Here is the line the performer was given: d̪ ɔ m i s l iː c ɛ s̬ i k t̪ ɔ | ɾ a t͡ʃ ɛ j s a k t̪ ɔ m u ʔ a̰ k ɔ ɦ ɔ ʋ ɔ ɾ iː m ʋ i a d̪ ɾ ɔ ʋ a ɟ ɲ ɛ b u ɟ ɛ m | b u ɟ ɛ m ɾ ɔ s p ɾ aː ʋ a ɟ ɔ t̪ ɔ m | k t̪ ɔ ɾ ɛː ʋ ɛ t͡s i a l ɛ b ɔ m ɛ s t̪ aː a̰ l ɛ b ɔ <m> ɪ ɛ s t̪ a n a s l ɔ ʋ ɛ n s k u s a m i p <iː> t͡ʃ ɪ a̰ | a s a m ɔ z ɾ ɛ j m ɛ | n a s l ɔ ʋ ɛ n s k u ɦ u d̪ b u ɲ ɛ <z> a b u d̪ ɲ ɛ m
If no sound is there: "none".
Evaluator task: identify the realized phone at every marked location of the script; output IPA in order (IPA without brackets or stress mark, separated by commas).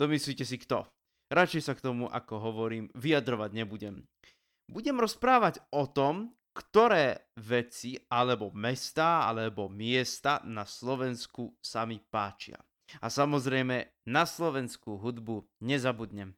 m, aː, z